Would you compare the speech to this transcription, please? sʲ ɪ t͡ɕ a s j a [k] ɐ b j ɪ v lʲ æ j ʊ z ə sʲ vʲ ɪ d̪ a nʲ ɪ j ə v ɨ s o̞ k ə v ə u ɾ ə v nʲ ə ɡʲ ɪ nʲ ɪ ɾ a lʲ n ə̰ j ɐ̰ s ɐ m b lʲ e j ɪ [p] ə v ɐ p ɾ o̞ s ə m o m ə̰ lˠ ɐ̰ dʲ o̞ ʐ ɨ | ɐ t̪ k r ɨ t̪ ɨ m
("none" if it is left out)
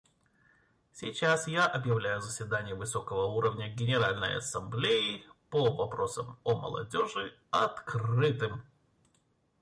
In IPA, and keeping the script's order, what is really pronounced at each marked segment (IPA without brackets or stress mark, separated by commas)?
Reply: ʔ, p